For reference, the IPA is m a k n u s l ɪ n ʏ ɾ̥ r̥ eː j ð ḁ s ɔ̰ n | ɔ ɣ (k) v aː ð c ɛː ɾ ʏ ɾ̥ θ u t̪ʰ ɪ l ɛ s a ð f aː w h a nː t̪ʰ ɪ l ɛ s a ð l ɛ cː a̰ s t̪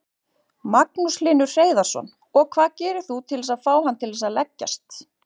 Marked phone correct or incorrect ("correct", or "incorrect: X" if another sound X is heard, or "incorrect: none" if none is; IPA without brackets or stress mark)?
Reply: incorrect: kʰ